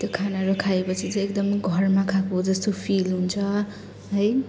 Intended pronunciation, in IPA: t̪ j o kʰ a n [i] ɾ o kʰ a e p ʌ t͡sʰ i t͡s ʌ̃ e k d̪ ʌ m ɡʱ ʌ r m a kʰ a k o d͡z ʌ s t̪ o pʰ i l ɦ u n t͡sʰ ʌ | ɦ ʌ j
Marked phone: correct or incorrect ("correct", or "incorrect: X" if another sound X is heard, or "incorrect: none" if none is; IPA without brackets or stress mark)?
incorrect: a